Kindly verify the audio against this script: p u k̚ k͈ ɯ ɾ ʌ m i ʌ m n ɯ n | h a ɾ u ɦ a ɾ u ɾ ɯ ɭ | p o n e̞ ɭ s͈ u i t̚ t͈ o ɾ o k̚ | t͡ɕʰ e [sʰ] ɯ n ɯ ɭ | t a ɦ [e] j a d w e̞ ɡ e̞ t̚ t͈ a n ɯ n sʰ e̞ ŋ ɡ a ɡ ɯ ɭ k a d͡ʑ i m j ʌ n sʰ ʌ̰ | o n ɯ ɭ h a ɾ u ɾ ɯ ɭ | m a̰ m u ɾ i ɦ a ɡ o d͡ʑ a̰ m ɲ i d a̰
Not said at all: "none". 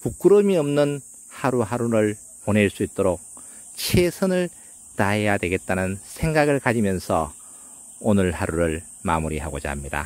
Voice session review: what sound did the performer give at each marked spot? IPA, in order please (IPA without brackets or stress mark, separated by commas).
sʰ, e